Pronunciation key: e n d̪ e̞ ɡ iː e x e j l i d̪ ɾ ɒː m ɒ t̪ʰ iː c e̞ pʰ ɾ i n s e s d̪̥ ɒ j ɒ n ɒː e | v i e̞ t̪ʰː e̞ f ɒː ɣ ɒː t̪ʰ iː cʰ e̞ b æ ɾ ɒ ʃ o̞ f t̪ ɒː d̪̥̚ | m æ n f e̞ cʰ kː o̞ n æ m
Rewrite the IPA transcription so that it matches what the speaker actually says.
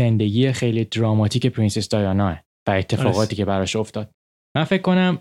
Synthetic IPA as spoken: e n d̪ e̞ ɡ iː e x e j l i d̪ ɾ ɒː m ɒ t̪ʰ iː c e̞ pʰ ɾ i n s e s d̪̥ ɒ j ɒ n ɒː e | v æ e̞ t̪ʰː e̞ f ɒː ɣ ɒː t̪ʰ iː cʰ e̞ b æ ɾ ɒ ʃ o̞ f t̪ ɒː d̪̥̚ | m æ n f e̞ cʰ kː o̞ n æ m